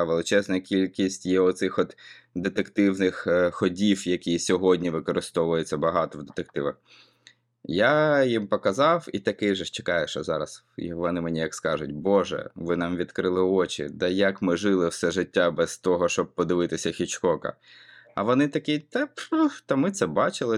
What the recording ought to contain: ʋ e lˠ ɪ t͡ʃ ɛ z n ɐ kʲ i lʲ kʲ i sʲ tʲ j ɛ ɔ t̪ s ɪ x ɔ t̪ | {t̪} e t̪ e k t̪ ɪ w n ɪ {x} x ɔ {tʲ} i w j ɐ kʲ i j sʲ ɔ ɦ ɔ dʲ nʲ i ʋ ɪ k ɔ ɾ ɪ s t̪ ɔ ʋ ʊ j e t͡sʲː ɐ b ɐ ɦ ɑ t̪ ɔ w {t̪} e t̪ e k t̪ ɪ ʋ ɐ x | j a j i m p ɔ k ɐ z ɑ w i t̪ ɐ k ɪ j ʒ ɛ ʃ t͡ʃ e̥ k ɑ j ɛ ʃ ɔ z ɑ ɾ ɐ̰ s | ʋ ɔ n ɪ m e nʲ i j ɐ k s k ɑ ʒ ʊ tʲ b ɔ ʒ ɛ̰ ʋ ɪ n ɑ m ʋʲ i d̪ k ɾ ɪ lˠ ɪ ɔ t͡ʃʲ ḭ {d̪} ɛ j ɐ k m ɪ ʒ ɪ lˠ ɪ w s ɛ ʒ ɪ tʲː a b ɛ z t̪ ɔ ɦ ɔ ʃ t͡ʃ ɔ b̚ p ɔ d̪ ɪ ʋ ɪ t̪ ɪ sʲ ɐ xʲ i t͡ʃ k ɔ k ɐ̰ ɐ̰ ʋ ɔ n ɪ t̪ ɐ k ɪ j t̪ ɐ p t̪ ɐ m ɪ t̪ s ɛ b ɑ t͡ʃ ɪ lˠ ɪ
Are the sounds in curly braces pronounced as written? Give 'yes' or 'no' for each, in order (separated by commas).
no, yes, no, no, yes